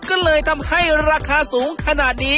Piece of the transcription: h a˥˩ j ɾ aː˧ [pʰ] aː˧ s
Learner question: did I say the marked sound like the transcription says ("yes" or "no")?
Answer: no